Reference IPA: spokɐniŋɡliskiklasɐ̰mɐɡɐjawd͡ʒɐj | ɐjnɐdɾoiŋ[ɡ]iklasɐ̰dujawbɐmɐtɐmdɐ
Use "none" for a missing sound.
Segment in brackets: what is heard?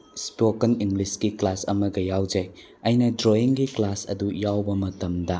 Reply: ɡ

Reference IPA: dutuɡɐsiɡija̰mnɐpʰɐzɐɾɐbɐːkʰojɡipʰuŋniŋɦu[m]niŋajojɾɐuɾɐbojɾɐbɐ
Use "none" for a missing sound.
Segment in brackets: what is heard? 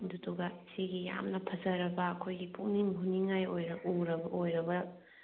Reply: none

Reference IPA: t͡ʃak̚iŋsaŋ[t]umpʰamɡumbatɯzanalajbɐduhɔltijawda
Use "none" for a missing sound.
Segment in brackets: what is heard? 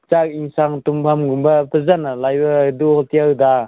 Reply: t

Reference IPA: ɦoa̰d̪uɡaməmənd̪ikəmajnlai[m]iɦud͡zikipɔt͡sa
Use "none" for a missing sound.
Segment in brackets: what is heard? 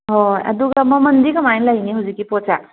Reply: n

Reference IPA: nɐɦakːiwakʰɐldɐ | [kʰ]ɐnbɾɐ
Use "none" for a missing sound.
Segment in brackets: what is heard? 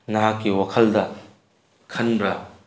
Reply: kʰ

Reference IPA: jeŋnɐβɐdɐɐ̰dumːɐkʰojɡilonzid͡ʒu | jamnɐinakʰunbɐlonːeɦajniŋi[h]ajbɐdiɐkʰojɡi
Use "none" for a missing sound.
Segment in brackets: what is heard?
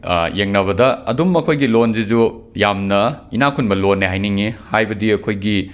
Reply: h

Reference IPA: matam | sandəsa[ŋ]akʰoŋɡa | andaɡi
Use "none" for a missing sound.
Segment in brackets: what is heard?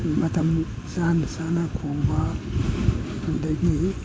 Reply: n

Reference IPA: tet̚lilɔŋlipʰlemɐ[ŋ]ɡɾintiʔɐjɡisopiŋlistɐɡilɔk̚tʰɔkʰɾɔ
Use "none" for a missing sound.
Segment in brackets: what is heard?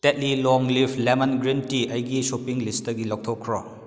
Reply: n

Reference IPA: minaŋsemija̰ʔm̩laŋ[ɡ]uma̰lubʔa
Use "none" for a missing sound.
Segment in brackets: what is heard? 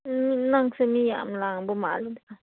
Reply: b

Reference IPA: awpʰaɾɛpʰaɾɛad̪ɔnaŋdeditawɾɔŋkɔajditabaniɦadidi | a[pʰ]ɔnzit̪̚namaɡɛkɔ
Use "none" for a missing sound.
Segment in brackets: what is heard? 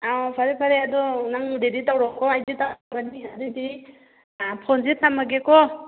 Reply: pʰ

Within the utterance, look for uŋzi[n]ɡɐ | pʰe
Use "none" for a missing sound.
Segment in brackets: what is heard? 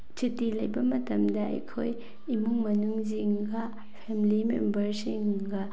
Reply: ŋ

